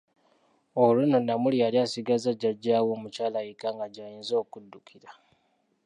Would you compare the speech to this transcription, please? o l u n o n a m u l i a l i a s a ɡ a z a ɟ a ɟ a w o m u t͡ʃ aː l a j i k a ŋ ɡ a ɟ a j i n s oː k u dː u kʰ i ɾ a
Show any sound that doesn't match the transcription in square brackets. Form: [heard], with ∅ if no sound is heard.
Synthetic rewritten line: o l u n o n a m u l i a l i a s [i] ɡ a z a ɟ a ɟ a w o m u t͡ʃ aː l a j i k a ŋ ɡ a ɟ a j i n [z] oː k u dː u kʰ i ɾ a